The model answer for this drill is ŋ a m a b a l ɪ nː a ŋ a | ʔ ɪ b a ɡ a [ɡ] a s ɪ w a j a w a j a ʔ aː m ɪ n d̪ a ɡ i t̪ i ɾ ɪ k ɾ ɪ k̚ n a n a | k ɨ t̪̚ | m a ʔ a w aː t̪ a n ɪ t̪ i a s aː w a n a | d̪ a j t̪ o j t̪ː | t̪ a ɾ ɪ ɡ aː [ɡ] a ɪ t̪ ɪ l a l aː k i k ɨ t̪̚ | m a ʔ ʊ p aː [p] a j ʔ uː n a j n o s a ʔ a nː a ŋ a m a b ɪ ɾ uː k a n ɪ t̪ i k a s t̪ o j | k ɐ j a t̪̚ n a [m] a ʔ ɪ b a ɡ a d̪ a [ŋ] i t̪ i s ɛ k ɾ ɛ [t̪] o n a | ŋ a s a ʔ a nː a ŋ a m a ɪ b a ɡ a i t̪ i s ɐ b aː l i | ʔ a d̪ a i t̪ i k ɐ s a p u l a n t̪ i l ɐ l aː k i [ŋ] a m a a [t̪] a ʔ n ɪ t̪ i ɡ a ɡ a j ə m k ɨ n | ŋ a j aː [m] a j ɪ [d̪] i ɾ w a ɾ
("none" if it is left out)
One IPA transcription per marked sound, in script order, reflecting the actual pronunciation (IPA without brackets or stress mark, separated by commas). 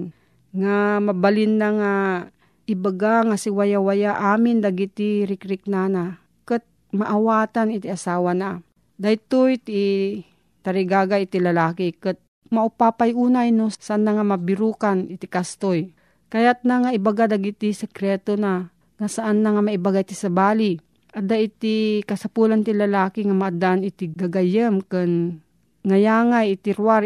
ŋ, ɡ, p, ŋ, ɡ, t̪, ŋ, d̪, ŋ, t̪